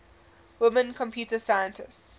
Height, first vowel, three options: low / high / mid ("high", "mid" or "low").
high